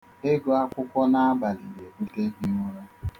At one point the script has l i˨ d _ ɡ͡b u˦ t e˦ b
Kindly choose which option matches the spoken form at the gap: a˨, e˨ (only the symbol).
e˨